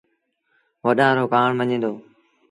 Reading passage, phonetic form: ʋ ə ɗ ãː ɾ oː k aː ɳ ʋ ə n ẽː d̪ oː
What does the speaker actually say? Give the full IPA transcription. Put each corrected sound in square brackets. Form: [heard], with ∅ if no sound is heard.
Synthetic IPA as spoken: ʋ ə ɗ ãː ɾ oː k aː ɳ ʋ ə [ɲ] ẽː d̪ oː